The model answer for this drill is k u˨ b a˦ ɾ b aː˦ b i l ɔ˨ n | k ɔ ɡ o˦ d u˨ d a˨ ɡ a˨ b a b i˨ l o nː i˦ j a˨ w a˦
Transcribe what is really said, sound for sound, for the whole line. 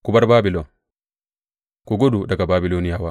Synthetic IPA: k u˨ b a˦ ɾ b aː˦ b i l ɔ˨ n | k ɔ ɡ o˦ d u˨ d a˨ ɡ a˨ b a b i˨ l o n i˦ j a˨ w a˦

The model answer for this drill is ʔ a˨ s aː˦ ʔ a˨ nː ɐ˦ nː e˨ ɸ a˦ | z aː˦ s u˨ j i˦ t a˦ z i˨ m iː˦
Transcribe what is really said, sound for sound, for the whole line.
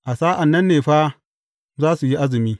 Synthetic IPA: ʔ a˨ s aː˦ ʔ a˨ nː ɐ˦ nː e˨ ɸ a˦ | z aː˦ s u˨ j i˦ ʔ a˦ z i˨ m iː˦

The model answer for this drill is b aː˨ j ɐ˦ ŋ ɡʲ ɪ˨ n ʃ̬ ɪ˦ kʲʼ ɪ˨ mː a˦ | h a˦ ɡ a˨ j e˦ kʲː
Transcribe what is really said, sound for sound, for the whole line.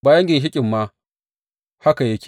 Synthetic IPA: b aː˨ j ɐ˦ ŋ ɡʲ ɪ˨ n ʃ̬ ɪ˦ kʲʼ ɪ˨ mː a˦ | h a˦ k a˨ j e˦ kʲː

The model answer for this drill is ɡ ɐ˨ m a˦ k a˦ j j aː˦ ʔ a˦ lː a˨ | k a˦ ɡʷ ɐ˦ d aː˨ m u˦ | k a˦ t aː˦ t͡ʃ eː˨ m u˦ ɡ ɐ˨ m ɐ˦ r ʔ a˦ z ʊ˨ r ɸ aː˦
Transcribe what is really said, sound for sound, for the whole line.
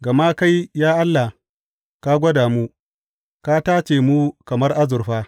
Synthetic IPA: ɡ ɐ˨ m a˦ k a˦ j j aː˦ ʔ a˦ lː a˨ | k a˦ ɡʷ ɐ˦ d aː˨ m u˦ | k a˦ t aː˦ t͡ʃ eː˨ m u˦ k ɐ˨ m ɐ˦ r ʔ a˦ z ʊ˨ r ɸ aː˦

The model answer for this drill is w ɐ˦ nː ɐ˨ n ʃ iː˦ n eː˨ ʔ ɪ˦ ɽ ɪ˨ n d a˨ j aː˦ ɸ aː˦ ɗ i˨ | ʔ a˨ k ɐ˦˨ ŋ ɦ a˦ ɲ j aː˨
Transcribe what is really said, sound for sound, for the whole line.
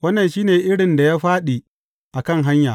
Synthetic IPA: w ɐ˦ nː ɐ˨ n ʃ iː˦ n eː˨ ʔ ɪ˦ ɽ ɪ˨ n d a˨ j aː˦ ɸ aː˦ ɗ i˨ | ʔ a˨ k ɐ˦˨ ŋ ɦ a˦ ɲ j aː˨

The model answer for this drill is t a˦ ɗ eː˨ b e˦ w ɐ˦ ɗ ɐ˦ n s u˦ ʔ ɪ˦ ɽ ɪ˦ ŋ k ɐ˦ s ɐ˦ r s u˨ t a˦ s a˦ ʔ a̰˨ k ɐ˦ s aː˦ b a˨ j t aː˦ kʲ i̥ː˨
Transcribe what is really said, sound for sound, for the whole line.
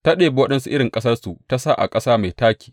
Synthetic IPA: t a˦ ɗ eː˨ b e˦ w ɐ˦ ɗ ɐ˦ n s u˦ ʔ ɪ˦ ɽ ɪ˨ ŋ kʼ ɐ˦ s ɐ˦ r s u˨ t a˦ s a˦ ʔ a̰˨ kʼ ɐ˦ s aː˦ m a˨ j t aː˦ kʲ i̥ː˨

